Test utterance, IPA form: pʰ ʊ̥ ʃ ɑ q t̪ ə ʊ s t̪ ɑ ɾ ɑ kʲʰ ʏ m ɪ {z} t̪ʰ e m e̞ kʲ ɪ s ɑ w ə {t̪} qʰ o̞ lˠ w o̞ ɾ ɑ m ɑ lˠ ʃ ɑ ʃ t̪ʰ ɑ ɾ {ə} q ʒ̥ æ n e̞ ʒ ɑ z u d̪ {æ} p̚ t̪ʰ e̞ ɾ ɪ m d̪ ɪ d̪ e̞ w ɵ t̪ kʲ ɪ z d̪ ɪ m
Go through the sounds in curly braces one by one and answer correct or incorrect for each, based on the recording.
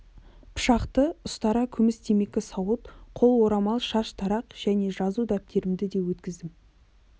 incorrect: s, correct, incorrect: ɑ, correct

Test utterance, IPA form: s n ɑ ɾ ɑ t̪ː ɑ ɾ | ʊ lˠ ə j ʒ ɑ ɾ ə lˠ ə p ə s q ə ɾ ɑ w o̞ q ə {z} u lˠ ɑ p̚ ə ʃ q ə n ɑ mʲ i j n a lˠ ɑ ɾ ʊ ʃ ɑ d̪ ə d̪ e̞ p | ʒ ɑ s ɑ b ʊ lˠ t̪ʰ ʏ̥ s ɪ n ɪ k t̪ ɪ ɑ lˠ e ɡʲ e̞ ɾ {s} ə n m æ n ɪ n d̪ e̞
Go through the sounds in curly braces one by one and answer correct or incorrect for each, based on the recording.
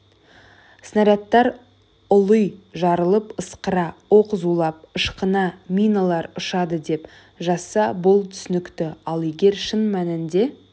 correct, incorrect: ʃ

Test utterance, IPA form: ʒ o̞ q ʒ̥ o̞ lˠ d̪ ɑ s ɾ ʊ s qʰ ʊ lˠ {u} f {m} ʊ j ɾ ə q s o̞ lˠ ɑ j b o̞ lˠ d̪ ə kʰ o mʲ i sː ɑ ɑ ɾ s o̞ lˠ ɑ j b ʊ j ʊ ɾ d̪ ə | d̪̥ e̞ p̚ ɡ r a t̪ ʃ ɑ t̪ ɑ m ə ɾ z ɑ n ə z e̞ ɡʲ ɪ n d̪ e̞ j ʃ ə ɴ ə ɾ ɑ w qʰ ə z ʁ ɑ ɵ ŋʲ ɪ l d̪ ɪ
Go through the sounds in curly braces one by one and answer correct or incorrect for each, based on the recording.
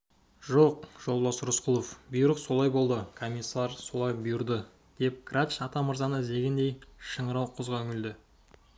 incorrect: o, incorrect: b

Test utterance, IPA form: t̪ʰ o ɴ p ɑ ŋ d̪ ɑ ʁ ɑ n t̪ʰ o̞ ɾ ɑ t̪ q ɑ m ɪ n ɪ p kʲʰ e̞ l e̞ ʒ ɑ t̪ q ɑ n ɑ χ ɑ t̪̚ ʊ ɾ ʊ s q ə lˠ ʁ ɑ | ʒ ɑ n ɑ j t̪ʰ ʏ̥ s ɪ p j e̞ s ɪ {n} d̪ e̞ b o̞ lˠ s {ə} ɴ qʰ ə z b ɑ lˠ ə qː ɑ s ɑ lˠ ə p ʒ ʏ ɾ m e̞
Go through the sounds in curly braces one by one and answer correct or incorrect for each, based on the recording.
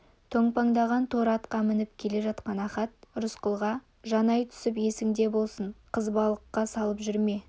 incorrect: ŋ, correct

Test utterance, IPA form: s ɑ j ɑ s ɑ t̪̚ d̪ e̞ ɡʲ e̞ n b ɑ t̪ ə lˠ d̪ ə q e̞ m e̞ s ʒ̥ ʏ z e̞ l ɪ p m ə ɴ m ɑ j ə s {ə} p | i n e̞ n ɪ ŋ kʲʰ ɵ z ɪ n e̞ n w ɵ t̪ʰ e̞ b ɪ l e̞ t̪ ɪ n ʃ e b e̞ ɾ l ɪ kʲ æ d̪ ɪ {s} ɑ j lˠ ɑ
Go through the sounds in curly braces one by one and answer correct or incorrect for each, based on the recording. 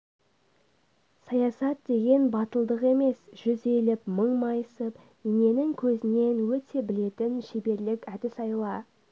correct, correct

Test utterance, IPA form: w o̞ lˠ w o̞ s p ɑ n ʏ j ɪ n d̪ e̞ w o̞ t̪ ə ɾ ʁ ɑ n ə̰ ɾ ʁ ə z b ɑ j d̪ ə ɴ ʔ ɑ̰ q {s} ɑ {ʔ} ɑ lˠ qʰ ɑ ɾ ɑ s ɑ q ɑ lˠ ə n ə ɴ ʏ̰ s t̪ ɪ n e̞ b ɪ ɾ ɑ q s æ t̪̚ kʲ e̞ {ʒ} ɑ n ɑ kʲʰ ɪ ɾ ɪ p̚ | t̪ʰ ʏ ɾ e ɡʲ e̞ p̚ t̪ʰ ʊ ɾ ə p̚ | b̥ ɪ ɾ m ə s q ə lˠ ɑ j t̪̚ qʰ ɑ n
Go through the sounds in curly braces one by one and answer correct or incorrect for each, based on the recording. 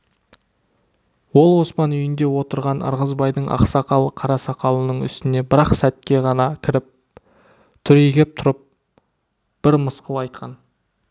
correct, incorrect: q, incorrect: ʁ

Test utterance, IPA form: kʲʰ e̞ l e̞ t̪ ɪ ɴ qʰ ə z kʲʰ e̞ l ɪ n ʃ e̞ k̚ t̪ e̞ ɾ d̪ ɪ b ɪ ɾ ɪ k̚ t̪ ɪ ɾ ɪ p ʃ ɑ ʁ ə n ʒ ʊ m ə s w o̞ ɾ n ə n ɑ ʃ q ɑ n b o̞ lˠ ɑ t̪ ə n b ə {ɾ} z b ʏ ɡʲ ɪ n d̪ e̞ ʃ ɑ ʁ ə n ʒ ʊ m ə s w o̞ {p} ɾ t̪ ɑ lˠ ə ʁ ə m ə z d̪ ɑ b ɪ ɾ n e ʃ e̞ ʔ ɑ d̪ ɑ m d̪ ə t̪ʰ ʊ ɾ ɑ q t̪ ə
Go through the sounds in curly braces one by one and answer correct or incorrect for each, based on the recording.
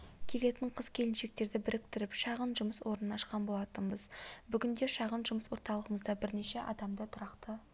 incorrect: none, incorrect: none

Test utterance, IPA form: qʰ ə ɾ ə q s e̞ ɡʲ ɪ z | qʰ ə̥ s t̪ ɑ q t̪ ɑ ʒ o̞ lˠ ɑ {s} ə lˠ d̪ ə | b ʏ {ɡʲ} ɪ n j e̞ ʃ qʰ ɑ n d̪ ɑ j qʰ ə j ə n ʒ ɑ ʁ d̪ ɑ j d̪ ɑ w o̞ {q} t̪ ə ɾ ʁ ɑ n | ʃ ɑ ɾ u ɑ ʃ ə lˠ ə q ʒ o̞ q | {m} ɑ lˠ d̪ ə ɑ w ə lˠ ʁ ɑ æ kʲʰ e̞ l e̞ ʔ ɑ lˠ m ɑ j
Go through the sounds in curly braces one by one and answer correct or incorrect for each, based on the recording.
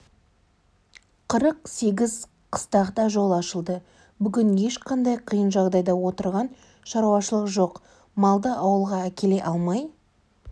incorrect: ʃ, correct, incorrect: none, correct

